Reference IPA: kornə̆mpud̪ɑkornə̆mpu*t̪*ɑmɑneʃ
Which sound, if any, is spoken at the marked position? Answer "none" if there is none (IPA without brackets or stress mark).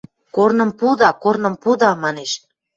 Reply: d̪